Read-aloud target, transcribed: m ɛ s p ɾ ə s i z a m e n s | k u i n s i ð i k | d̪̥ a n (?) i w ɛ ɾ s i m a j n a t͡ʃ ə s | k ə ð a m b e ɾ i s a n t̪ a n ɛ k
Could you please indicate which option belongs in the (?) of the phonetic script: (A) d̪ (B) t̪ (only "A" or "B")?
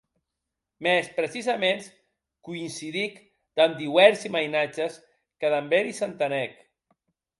A